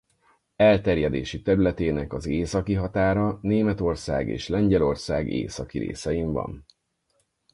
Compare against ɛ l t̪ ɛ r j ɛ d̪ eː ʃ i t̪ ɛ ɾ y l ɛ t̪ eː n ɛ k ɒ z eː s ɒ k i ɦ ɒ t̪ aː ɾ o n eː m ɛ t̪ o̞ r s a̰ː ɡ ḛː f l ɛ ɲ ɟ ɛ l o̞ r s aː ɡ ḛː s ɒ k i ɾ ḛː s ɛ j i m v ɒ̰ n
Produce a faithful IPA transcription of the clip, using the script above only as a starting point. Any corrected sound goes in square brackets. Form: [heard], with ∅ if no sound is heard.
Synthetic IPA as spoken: ɛ l t̪ ɛ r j ɛ d̪ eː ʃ i t̪ ɛ ɾ y l ɛ t̪ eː n ɛ k ɒ z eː s ɒ k i ɦ ɒ t̪ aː ɾ [ɒ] n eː m ɛ t̪ o̞ r s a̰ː ɡ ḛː [ʃ] l ɛ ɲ ɟ ɛ l o̞ r s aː ɡ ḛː s ɒ k i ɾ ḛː s ɛ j i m v ɒ̰ n